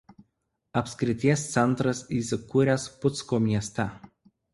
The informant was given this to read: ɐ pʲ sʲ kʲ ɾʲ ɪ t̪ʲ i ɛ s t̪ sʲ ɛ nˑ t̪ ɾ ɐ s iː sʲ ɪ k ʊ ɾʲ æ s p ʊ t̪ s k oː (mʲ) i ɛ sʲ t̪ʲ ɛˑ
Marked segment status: correct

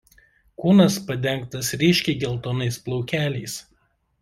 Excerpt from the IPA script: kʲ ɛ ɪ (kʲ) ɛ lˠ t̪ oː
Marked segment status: incorrect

